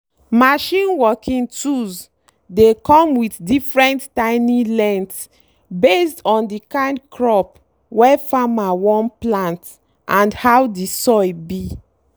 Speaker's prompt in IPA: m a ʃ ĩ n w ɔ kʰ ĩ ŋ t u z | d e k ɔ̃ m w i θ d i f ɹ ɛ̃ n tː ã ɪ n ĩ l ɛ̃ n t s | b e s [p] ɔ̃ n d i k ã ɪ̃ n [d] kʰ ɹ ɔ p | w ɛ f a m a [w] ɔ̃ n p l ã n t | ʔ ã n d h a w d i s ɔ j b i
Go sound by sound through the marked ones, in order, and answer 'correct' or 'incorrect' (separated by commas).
incorrect, correct, correct